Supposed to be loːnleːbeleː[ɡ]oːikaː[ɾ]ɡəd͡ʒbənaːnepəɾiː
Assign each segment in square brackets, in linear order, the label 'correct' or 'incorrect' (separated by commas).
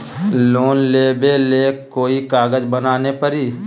incorrect, incorrect